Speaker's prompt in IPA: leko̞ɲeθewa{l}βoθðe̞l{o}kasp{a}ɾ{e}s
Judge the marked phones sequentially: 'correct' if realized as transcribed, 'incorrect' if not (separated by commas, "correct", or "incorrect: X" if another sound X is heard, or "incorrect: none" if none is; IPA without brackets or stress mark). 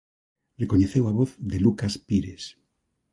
incorrect: none, incorrect: u, incorrect: i, correct